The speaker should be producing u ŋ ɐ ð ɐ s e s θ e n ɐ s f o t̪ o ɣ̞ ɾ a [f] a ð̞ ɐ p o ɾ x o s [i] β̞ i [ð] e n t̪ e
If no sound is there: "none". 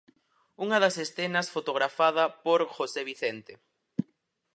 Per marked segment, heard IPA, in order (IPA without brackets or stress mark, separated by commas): f, e, θ